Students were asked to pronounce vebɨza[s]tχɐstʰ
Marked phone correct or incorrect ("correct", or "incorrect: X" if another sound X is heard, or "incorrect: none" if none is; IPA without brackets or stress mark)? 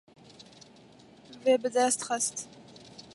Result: correct